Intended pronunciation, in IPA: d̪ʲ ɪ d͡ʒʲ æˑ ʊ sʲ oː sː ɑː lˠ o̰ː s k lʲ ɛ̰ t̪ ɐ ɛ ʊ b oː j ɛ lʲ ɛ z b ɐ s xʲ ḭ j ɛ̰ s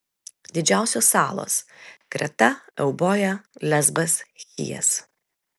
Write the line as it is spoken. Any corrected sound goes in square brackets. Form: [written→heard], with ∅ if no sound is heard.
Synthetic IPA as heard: d̪ʲ ɪ d͡ʒʲ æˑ ʊ sʲ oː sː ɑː lˠ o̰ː s k [lʲ→ɾʲ] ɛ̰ t̪ ɐ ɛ ʊ b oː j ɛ lʲ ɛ z b ɐ s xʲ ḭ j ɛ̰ s